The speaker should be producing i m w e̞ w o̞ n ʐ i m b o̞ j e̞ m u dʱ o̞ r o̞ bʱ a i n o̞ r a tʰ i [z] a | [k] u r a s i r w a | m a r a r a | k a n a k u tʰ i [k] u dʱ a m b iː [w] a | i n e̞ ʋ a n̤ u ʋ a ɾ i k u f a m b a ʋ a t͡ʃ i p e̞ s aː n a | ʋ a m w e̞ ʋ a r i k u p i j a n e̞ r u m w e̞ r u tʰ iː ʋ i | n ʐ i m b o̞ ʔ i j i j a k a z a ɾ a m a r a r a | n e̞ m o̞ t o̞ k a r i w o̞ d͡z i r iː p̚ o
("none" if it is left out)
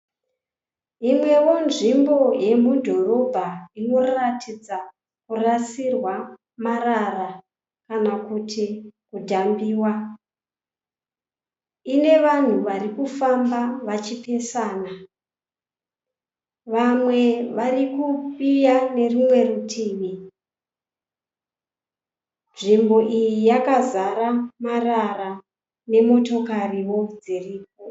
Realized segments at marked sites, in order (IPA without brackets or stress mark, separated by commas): d͡z, k, k, w